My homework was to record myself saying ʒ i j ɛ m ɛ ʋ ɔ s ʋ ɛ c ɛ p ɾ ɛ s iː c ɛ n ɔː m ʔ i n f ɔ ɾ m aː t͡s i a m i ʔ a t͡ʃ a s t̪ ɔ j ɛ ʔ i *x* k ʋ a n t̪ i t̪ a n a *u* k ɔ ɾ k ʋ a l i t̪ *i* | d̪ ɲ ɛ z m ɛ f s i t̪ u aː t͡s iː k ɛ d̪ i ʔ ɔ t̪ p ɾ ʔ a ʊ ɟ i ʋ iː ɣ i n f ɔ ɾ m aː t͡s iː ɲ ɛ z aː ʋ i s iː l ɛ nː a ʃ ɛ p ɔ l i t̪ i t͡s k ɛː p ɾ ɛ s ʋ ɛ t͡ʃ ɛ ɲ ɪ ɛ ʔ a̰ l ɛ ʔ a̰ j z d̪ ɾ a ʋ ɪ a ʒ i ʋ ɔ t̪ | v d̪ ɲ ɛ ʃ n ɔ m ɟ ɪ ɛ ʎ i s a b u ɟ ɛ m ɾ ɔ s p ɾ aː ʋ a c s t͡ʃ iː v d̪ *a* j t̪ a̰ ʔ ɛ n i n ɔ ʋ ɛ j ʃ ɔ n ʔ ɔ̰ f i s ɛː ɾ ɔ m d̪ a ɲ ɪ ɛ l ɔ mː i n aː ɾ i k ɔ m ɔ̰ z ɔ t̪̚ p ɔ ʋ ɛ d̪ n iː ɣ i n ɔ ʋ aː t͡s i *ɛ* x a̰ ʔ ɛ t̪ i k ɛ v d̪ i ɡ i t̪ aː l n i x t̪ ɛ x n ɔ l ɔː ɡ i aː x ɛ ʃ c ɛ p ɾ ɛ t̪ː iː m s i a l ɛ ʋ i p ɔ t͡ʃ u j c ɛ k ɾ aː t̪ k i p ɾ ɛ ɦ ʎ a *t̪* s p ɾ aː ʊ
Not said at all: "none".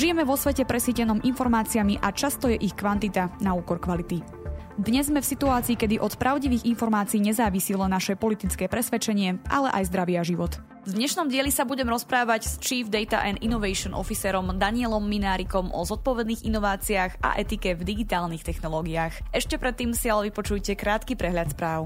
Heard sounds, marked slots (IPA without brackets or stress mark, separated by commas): x, uː, i, ɛ, a, t̪